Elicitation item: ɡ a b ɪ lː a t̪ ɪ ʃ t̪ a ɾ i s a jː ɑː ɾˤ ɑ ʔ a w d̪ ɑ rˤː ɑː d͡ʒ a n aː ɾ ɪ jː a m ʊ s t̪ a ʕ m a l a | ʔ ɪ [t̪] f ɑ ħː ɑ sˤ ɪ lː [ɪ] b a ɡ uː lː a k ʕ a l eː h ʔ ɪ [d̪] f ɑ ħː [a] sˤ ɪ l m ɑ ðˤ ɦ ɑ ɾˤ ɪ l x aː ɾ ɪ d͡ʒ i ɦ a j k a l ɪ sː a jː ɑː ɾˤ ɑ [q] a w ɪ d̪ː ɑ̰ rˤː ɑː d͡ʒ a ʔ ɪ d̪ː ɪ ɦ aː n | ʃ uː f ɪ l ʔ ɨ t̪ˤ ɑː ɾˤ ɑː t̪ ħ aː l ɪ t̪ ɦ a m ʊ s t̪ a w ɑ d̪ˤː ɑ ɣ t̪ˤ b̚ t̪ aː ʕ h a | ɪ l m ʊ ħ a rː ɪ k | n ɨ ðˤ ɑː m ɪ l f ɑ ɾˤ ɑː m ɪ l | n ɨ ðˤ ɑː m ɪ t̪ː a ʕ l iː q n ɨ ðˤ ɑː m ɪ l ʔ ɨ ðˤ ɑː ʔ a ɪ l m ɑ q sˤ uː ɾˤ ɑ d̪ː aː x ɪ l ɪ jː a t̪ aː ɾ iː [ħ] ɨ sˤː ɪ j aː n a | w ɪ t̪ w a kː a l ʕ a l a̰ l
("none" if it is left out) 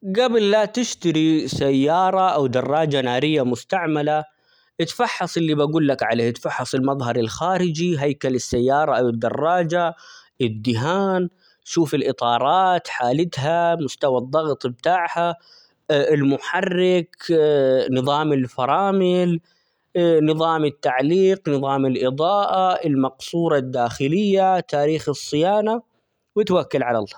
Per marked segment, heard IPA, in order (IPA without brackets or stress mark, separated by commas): t̪, i, t̪, ɑ, ʔ, x